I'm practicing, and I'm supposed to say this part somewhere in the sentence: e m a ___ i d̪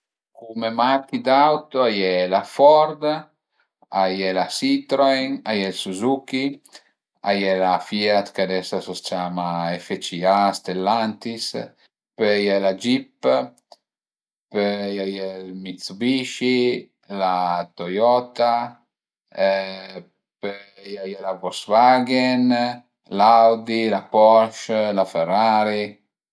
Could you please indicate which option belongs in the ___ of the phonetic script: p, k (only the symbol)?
k